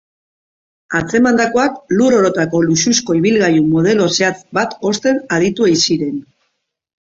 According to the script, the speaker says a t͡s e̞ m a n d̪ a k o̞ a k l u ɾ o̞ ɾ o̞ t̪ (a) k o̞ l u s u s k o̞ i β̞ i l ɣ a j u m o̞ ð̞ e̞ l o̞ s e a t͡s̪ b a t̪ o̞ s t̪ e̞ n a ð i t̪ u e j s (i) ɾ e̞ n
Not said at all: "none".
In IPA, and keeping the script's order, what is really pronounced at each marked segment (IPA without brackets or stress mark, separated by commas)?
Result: a, i